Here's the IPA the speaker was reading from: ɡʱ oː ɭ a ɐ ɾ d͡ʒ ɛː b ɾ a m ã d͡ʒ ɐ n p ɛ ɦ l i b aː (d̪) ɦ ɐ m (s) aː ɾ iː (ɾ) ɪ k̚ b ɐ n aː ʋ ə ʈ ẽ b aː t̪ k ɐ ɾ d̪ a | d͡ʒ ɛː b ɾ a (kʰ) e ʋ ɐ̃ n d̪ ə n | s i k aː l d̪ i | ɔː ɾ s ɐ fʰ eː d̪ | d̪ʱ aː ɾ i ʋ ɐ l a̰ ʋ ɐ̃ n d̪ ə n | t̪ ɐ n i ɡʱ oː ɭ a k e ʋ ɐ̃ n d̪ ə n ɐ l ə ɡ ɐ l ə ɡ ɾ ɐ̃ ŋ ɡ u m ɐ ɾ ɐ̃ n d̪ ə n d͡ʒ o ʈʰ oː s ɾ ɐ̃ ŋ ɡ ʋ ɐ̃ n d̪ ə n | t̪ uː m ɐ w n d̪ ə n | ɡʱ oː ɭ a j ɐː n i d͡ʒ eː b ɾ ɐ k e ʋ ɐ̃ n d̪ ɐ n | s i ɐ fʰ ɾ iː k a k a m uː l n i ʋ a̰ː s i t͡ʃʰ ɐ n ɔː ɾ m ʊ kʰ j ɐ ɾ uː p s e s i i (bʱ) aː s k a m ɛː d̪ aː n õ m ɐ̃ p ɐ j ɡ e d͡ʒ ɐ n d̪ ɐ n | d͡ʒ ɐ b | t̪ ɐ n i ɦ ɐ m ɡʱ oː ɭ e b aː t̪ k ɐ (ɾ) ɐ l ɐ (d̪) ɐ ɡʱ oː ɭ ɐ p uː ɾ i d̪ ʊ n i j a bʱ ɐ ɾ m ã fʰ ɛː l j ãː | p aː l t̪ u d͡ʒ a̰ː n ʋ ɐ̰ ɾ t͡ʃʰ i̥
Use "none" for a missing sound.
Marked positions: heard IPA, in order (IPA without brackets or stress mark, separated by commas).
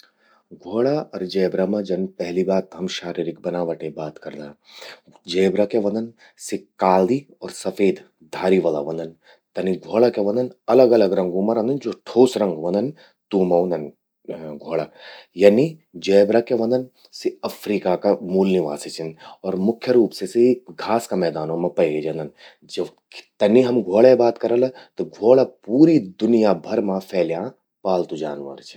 t̪, ʃ, ɾ, k, ɡʱ, ɾ, t̪